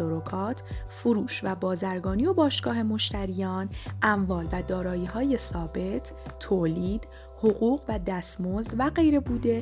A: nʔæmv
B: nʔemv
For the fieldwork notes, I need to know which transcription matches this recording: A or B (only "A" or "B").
A